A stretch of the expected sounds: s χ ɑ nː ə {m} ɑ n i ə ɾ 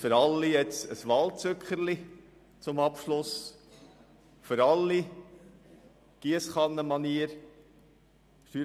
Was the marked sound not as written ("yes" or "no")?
no